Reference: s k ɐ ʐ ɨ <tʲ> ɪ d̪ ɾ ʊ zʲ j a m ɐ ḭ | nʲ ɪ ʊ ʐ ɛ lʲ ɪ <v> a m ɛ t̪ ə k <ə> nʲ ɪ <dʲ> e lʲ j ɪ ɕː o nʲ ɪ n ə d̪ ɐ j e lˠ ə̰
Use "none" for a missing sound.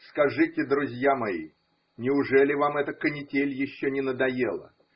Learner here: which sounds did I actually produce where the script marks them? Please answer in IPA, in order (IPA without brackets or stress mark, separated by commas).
tʲ, v, ə, tʲ